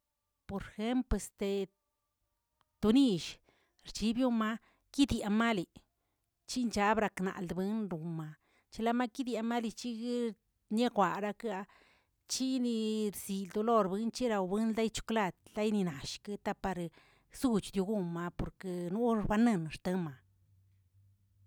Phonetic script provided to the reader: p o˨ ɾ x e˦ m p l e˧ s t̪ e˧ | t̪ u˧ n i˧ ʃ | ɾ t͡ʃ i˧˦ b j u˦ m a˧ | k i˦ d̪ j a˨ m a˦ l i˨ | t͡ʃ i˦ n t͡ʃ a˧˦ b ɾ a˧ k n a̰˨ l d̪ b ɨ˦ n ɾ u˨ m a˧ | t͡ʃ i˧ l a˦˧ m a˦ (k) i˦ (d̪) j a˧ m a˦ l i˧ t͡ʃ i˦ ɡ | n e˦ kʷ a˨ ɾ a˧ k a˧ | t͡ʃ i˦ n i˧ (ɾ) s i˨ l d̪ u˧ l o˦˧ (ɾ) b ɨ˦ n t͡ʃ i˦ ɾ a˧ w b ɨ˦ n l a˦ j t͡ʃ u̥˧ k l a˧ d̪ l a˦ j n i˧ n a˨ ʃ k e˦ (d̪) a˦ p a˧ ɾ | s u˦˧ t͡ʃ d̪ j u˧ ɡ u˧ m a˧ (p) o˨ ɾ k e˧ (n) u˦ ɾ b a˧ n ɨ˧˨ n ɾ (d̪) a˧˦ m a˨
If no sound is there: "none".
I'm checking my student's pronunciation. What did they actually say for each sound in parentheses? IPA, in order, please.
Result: k, d̪, ɾ, ɾ, t̪, p, n, t̪

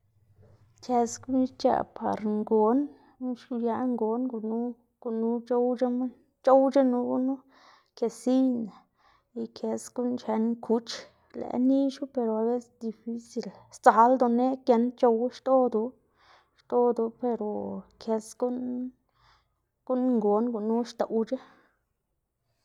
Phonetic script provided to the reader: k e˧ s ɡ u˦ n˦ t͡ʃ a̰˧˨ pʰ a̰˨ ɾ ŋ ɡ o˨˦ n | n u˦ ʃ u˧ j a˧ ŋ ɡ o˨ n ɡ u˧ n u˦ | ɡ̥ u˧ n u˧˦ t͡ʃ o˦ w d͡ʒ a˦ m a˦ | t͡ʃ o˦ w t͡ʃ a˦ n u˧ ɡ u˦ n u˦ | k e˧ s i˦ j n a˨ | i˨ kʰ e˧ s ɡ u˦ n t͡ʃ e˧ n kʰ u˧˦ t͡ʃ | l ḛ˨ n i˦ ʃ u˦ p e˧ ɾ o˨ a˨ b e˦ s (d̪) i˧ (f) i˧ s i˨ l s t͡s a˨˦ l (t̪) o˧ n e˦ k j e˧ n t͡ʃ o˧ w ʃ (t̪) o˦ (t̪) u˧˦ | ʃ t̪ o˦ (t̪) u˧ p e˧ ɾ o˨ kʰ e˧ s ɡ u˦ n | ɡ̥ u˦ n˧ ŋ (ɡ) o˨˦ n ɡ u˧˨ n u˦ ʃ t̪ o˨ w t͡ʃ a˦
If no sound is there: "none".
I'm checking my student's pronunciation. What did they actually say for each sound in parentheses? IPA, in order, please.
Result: d̪, f, d̪, t̪, d̪, d̪, ɡ

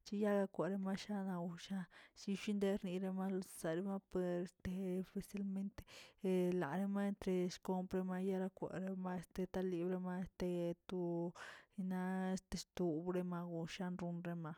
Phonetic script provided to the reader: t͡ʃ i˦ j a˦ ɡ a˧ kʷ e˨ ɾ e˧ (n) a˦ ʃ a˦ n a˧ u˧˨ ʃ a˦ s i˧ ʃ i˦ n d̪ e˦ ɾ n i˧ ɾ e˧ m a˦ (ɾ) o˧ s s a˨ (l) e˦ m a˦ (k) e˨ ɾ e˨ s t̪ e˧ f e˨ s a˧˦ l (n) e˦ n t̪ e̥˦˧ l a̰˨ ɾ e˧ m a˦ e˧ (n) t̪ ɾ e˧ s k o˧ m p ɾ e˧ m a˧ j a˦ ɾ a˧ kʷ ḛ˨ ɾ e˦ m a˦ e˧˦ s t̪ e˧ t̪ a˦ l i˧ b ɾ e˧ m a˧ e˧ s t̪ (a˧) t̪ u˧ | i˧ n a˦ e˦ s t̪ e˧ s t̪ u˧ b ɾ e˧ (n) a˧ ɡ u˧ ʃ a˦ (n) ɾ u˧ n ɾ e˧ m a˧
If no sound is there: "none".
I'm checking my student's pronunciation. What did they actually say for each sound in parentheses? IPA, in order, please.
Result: m, l, ɾ, p, m, n, e˧, m, n

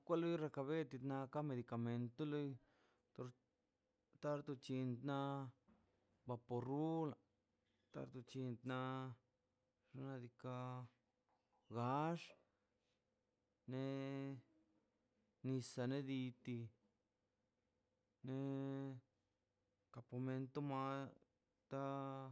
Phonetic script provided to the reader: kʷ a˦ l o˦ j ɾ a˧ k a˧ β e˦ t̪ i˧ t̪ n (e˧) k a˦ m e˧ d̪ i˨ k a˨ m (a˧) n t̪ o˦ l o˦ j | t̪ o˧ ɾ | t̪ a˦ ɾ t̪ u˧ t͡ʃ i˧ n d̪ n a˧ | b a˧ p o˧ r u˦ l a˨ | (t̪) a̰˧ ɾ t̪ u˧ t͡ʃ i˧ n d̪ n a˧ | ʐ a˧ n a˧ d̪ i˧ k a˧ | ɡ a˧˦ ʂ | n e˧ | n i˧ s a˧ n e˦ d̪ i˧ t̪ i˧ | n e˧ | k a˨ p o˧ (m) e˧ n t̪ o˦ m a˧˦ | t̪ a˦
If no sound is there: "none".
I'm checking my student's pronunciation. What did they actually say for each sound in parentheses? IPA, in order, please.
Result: a˧, e˧, t̪, m

